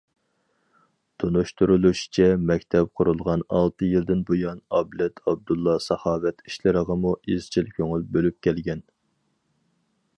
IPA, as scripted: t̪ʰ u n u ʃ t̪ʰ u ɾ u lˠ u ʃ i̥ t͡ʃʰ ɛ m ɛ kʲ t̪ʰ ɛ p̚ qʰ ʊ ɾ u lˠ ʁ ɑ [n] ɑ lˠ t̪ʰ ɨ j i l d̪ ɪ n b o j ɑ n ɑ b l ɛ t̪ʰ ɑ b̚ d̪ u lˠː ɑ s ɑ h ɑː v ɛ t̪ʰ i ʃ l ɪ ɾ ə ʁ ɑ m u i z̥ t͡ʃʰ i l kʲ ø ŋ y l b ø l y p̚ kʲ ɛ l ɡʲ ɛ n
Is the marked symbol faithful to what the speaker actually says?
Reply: yes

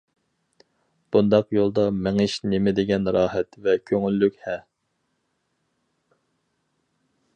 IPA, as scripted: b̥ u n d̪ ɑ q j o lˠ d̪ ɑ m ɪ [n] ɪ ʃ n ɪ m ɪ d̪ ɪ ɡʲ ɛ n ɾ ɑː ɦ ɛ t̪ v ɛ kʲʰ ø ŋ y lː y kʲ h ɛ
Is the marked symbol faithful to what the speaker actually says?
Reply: no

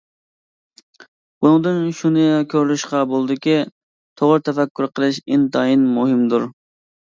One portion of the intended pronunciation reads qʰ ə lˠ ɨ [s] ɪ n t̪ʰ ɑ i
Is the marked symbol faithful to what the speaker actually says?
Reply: no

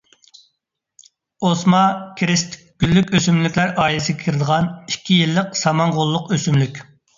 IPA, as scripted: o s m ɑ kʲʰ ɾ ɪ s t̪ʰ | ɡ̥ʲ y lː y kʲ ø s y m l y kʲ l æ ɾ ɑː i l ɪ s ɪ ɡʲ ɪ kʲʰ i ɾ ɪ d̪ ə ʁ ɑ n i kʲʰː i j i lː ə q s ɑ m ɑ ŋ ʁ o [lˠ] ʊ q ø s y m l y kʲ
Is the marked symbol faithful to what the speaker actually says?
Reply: no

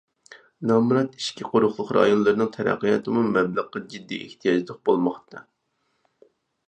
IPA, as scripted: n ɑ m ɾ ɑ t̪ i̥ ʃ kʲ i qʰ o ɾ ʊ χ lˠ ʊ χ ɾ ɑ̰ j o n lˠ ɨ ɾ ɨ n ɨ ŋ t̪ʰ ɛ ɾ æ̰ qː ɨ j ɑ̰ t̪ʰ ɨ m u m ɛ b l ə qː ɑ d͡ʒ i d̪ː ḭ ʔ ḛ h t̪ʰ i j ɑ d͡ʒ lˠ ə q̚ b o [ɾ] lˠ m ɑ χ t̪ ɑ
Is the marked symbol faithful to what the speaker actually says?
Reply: no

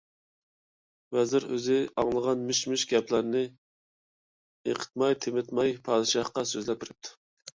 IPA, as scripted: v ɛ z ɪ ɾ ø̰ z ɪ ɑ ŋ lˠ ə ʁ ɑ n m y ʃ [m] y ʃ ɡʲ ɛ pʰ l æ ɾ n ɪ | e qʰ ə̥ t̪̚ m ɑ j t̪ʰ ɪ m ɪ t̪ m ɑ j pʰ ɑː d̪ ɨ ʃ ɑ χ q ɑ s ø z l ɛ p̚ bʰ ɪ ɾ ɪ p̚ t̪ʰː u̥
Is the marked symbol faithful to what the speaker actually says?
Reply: yes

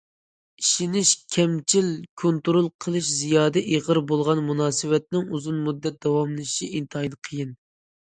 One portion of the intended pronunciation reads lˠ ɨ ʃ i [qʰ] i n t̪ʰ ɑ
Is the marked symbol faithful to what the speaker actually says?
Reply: no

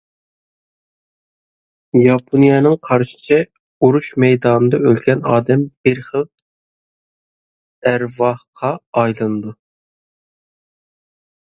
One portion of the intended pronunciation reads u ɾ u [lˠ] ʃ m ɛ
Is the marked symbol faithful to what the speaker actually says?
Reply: no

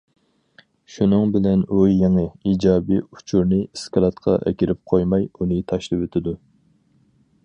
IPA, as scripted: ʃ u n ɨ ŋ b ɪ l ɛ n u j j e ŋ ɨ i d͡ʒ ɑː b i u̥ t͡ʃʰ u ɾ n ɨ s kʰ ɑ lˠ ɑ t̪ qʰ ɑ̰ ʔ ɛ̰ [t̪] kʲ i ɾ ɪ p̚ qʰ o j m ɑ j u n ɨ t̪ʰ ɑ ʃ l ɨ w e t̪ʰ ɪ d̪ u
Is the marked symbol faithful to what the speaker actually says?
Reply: no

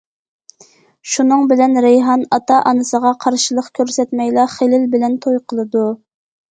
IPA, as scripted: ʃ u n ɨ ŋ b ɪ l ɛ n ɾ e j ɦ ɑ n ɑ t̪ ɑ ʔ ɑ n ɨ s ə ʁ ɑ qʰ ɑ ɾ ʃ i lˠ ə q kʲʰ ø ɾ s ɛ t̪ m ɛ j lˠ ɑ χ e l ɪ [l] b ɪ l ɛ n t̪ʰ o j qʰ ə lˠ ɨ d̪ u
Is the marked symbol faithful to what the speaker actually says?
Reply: yes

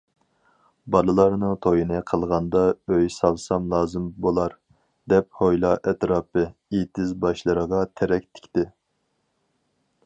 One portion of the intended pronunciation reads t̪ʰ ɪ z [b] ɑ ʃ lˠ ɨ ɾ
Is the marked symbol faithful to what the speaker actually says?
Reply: yes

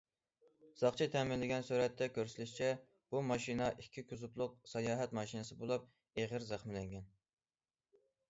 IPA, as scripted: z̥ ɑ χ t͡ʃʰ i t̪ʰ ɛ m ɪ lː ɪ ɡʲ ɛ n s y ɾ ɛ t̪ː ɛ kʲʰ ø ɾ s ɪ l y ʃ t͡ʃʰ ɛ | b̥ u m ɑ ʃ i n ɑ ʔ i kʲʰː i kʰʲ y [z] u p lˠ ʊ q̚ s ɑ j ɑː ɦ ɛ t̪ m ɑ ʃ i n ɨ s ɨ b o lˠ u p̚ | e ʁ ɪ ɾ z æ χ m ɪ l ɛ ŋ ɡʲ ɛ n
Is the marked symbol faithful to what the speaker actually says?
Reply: yes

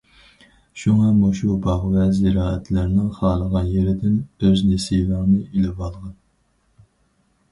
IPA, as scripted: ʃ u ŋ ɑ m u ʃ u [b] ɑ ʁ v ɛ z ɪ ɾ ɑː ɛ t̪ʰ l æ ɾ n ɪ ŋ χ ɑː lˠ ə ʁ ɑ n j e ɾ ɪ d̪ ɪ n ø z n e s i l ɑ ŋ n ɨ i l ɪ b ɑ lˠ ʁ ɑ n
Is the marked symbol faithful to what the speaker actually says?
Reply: yes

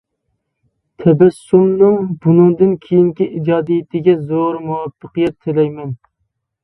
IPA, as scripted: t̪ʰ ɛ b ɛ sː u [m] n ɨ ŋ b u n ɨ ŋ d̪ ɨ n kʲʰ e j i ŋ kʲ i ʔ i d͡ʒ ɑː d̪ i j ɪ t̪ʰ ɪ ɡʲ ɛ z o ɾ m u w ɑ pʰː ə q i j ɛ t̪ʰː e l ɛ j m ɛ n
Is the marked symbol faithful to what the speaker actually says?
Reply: yes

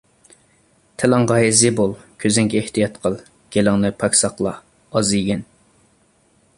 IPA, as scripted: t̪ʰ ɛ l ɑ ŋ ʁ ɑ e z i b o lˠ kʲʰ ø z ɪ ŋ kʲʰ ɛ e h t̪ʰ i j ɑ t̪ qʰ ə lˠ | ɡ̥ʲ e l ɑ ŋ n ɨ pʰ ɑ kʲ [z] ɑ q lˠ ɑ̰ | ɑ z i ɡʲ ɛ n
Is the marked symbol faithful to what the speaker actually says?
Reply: no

